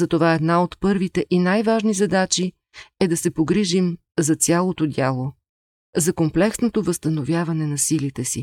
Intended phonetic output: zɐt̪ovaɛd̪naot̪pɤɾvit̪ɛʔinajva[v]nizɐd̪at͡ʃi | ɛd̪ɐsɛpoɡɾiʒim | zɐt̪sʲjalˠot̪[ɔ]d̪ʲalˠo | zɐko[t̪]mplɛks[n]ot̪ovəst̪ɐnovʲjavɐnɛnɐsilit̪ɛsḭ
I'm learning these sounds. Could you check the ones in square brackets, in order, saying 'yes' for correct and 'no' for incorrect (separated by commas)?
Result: no, no, no, yes